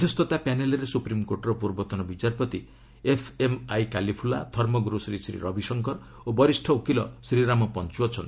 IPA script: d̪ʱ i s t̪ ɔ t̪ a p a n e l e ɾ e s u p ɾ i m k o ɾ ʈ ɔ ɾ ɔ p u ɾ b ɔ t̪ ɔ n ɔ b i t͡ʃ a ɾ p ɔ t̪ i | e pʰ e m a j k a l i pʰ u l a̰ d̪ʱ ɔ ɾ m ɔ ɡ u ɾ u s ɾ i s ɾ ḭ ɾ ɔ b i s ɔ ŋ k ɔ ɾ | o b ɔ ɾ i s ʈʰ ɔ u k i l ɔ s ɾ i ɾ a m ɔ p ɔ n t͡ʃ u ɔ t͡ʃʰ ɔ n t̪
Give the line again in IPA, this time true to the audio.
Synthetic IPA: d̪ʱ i s t̪ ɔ t̪ a p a n e l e ɾ e s u p ɾ i m k o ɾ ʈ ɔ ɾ ɔ p u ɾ b ɔ t̪ ɔ n ɔ b i t͡ʃ a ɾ p ɔ t̪ i | e pʰ e m a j k a l i pʰ u l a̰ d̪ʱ ɔ ɾ m ɔ ɡ u ɾ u s ɾ i s ɾ ḭ ɾ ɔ b i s ɔ ŋ k ɔ ɾ | o b ɔ ɾ i s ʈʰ ɔ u k i l ɔ s ɾ i ɾ a m ɔ p ɔ n t͡ʃ u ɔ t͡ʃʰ ɔ n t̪